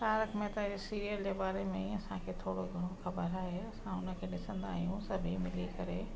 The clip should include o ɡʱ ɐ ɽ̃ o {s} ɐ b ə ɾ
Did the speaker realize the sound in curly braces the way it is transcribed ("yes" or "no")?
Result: no